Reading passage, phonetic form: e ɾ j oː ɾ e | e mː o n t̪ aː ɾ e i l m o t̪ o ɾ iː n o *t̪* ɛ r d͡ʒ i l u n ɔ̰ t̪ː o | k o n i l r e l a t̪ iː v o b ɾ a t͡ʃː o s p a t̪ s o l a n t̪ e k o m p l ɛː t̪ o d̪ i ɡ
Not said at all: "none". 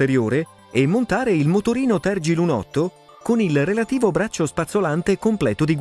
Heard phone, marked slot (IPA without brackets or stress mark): t̪